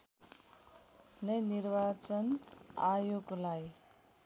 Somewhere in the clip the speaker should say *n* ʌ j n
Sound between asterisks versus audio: correct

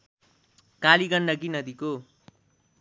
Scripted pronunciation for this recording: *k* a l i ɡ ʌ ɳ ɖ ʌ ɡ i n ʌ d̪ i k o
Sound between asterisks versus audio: correct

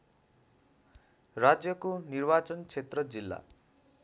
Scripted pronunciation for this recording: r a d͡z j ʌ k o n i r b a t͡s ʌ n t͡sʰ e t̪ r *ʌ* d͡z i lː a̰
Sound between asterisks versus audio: correct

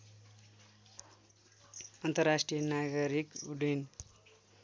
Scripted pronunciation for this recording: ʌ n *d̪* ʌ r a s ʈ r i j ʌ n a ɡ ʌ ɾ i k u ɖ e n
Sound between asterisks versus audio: incorrect: t̪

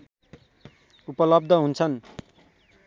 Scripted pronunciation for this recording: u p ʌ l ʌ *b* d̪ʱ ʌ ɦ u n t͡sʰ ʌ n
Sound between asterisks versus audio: correct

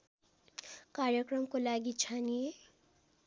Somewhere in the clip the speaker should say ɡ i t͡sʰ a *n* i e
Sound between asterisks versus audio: correct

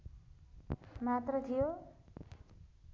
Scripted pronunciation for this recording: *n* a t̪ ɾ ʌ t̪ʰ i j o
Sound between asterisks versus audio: incorrect: m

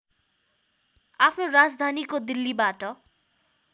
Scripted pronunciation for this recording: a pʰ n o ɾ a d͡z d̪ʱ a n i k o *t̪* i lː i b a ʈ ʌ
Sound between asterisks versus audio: incorrect: d̪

